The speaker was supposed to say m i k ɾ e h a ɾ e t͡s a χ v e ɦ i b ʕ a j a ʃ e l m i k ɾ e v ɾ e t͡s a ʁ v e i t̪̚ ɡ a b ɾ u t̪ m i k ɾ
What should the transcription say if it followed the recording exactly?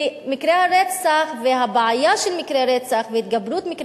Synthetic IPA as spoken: m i k ɾ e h a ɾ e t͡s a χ v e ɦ a b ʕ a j a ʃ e l m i k ɾ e ɾ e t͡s a χ v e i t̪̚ ɡ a b ɾ u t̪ m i k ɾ